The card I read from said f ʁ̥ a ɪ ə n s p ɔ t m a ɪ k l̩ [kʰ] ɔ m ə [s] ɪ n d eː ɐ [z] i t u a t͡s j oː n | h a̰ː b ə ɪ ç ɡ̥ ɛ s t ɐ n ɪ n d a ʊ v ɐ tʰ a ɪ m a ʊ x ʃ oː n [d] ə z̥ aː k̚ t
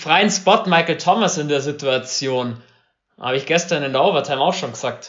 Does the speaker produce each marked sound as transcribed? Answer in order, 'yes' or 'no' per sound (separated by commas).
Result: no, yes, yes, no